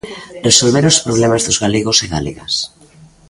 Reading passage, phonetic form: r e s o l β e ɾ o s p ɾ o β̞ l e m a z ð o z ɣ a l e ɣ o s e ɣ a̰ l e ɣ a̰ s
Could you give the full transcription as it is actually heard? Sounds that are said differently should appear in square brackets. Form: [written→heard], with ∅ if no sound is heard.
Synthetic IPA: r e s o l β e ɾ o s p ɾ o β̞ l e m a z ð o z ɣ a l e ɣ o s e ɣ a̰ l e ɣ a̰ s